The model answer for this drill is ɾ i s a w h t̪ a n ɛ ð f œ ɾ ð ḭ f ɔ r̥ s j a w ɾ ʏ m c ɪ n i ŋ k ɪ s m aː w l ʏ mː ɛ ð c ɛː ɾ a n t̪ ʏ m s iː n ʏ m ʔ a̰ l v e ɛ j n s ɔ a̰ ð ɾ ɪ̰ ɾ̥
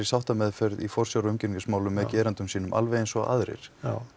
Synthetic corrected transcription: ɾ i s a w h t̪ a m ɛ ð f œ ɾ ð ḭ f ɔ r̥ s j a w ɾ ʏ m c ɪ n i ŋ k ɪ s m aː w l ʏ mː ɛ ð c ɛː ɾ a n t̪ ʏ m s iː n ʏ m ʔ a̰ l v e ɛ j n s ɔ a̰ ð ɾ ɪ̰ ɾ̥